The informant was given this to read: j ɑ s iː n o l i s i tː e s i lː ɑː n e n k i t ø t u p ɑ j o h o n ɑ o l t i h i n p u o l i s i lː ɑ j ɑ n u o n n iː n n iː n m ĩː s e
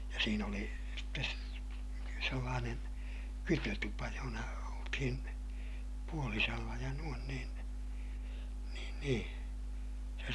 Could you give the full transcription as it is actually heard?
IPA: j ɑ s iː n o l i s i tː e s e lː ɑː n e n k y t ø t u p ɑ j o h o n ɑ o l t i h i n p u o l i s e lː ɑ j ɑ n u o n n iː n n iː n n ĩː s e